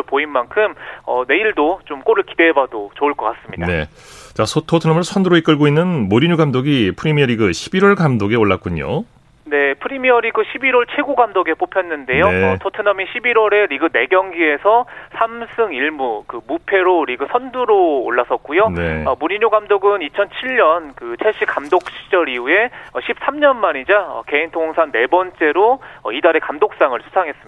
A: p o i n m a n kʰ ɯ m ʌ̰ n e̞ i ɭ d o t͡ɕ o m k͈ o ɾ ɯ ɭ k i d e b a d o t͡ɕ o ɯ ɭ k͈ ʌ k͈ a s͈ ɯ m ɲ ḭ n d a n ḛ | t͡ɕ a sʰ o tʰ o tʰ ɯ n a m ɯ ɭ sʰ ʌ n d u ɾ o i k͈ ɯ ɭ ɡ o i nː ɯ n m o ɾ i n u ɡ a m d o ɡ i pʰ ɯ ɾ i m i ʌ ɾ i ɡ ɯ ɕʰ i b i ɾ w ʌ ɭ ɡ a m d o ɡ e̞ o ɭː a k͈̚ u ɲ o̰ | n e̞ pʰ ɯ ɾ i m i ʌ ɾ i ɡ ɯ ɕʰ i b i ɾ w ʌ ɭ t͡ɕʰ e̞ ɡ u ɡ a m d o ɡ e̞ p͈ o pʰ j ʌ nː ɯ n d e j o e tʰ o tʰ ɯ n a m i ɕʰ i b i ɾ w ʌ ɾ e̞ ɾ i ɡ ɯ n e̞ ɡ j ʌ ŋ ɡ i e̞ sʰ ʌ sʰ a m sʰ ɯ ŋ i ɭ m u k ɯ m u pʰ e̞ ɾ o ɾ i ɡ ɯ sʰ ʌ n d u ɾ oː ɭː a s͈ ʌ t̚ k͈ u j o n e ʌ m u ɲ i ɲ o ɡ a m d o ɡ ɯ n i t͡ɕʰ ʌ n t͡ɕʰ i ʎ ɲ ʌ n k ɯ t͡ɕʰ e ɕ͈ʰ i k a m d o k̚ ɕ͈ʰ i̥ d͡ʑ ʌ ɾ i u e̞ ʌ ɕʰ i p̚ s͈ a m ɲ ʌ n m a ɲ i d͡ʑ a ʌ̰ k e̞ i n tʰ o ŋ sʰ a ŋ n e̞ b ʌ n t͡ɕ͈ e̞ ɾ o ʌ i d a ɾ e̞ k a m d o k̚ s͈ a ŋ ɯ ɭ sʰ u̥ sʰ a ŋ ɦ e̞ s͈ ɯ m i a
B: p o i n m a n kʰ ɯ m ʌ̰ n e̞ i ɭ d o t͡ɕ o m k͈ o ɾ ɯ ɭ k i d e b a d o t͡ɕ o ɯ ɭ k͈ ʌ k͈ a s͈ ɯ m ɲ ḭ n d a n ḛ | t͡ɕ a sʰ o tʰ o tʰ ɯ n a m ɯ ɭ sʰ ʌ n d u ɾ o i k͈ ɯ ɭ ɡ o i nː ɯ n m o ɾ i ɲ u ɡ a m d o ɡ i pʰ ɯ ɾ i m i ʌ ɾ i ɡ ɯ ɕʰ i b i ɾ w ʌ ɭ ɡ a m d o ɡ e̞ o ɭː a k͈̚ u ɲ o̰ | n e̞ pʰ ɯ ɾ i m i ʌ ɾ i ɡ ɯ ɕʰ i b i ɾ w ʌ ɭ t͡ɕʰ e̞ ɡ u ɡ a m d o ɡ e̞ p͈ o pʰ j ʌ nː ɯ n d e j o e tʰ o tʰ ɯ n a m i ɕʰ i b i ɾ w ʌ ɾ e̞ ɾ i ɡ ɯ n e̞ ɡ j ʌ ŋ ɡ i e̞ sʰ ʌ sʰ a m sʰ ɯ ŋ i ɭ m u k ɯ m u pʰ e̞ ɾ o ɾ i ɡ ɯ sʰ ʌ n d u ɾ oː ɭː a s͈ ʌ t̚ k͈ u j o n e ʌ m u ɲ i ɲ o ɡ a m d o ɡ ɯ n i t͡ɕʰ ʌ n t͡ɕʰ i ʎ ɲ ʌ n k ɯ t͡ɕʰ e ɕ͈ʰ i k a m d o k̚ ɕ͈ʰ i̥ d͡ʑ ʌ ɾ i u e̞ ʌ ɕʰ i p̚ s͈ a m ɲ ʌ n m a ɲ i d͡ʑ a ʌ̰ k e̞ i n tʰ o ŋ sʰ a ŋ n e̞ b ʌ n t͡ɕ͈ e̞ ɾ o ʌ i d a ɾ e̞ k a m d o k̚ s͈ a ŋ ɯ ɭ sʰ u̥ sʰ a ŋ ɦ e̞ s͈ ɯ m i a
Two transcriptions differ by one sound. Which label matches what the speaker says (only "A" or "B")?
B